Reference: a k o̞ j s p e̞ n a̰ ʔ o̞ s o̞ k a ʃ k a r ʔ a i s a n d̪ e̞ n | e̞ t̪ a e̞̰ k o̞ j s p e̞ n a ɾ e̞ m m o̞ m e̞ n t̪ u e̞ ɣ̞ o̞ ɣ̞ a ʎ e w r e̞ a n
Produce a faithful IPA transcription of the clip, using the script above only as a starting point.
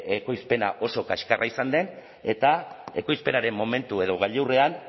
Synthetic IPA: e k o̞ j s p e̞ n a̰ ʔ o̞ s o̞ k a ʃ k a r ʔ a i s a n d̪ e̞ n | e̞ t̪ a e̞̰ k o̞ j s p e̞ n a ɾ e̞ m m o̞ m e̞ n t̪ u e̞ ð̞ o̞ ɣ̞ a ʎ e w r e̞ a n